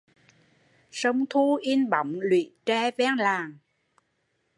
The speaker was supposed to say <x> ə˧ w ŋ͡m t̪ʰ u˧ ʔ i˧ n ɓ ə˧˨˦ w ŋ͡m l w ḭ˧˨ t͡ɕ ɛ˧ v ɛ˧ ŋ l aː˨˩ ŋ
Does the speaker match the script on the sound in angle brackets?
no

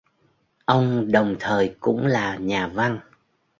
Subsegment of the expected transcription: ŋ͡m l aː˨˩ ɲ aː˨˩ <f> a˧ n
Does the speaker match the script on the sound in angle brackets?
no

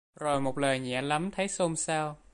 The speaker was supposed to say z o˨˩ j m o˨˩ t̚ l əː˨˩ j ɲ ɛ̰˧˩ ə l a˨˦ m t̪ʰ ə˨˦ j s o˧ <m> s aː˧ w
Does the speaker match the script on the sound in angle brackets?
yes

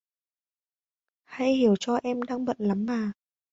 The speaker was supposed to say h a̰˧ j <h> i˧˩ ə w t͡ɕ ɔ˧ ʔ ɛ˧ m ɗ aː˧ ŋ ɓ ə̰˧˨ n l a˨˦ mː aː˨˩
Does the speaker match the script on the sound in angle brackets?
yes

